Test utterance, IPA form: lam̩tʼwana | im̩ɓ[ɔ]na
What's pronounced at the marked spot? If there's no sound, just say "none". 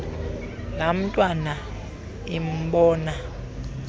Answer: ɔː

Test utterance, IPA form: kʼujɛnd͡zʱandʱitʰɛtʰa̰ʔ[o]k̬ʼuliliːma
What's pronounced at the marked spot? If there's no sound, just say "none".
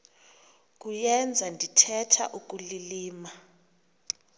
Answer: u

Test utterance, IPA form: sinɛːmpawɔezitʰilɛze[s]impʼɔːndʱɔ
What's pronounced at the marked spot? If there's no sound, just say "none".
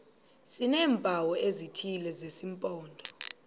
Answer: s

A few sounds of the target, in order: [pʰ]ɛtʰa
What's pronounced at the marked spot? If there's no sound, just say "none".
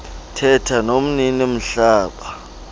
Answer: tʰ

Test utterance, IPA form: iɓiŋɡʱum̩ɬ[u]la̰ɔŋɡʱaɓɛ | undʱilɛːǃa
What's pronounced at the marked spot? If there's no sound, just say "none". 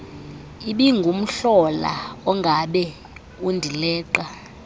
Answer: ɔ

